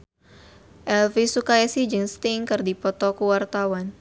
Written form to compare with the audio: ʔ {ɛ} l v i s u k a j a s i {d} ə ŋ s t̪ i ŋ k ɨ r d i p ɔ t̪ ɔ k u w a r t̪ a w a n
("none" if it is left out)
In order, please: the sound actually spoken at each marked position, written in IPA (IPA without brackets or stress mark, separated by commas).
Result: ɛ, d͡ʒ